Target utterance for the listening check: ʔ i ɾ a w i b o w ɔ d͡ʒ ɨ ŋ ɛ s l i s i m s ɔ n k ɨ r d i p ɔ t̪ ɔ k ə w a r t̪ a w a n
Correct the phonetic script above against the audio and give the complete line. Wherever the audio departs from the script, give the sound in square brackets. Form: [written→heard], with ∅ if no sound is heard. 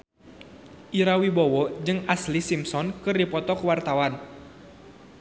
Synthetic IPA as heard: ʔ i ɾ a w i b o w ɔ d͡ʒ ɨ ŋ [ɛ→a] s l i s i m s ɔ n k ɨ r d i p ɔ t̪ ɔ k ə w a r t̪ a w a n